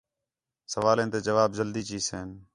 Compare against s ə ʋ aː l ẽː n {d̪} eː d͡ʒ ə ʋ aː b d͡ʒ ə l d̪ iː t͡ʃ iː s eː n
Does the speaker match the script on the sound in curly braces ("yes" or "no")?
no